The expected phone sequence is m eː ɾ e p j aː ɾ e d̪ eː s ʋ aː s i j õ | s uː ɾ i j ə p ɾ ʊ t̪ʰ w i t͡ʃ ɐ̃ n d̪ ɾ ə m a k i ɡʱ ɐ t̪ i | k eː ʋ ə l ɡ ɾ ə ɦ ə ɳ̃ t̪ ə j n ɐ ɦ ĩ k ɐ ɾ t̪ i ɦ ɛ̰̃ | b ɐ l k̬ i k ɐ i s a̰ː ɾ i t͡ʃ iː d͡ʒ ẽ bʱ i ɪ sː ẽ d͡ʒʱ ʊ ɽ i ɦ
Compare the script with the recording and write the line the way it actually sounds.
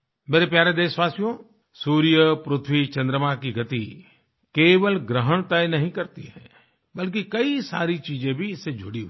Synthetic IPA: m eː ɾ e p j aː ɾ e d̪ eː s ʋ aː s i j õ | s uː ɾ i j ə p ɾ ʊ t̪ʰ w i t͡ʃ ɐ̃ n d̪ ɾ ə m a k i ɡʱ ɐ t̪ i | k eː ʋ ə l ɡ ɾ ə ɦ ə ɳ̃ t̪ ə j n ɐ ɦ ĩ k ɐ ɾ t̪ i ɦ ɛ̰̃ | b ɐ l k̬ i k ɐ i s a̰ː ɾ i t͡ʃ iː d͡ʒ ẽ bʱ i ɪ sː e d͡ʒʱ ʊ ɽ i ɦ